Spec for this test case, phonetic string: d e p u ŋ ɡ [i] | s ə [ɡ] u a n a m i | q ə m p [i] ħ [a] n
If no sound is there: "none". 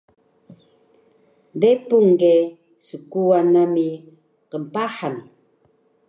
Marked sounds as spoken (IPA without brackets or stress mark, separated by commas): e, k, a, a